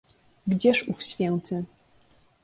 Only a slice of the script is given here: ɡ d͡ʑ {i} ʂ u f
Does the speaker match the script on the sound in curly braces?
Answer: no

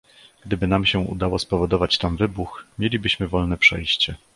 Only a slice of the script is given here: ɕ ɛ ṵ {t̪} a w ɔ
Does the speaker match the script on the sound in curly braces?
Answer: no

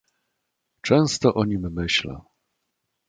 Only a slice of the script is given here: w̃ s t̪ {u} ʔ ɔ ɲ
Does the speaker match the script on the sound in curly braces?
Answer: no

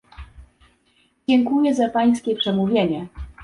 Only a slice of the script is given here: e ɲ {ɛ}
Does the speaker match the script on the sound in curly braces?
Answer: yes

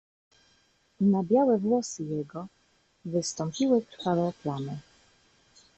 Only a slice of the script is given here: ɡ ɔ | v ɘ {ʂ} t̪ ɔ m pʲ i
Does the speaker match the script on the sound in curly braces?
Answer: no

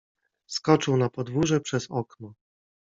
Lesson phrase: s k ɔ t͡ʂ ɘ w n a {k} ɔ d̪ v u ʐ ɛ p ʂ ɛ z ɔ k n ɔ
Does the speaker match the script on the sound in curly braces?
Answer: no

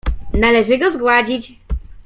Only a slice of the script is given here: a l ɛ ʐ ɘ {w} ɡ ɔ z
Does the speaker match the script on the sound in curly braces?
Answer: no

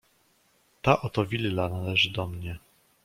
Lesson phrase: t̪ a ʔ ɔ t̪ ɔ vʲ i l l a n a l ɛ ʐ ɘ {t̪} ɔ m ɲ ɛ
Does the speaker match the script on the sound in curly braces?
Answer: no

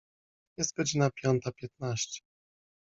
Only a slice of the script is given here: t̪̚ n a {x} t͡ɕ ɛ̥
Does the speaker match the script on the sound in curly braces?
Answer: no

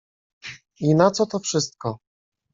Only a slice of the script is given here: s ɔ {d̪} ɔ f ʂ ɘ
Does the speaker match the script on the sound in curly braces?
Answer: no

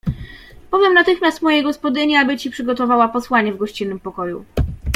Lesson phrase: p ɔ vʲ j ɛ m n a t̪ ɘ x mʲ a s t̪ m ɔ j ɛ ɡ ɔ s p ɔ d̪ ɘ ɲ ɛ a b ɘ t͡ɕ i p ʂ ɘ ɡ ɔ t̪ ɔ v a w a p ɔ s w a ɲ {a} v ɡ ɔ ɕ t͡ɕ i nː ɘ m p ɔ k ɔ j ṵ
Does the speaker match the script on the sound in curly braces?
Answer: no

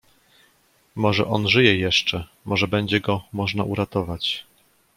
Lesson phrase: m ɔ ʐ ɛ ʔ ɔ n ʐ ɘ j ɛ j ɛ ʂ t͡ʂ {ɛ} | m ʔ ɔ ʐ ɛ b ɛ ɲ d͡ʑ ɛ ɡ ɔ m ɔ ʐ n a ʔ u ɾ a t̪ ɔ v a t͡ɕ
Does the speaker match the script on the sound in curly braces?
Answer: yes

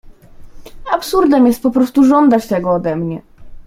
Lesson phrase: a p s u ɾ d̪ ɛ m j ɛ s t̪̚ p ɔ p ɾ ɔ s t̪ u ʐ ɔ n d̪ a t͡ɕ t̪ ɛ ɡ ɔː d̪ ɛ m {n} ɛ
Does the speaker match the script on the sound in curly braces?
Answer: no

